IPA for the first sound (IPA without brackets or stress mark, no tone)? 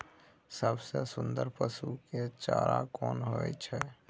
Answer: s